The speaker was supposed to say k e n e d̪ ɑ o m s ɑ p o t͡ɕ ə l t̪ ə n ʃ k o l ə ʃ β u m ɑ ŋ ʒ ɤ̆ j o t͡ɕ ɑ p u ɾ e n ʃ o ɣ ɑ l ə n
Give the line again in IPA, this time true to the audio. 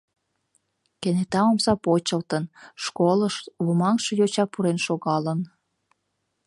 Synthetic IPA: k e n e t̪ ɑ o m s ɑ p o t͡ɕ ə l t̪ ə n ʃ k o l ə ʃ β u m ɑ ŋ ʃ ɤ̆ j o t͡ɕ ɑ p u ɾ e n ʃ o ɣ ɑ l ə n